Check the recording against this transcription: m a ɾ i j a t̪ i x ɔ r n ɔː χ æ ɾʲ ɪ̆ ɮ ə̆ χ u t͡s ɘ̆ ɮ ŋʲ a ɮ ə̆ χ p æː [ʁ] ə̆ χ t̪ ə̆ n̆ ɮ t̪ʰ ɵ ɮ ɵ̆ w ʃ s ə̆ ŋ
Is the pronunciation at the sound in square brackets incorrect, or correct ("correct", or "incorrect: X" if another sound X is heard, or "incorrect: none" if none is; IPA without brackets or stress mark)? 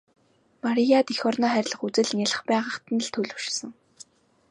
correct